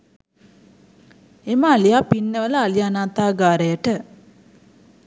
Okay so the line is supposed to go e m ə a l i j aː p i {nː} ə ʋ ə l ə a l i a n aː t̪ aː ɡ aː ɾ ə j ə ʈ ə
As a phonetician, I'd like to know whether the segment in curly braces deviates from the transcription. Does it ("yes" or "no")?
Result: no